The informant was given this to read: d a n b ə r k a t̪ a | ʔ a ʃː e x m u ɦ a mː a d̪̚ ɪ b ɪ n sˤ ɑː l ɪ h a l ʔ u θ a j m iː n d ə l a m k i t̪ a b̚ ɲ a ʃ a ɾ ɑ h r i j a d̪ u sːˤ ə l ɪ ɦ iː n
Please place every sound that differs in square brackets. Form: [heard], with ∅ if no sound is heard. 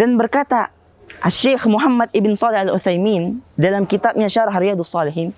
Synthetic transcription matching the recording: d a n b ə r k a t̪ a | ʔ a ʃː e x m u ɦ a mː a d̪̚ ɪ b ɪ n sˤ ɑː l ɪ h a l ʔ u θ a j m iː n d [a] l a m k i t̪ a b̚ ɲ a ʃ a ɾ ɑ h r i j a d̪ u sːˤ [ɑ] l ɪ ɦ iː n